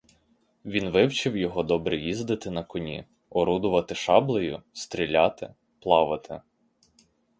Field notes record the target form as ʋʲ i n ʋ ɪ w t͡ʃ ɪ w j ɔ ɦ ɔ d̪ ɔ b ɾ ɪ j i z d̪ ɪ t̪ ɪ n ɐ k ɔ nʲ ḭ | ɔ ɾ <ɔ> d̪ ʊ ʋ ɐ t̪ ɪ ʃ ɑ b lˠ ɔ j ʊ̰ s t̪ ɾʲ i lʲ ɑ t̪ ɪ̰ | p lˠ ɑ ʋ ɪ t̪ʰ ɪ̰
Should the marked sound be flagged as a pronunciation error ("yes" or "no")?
yes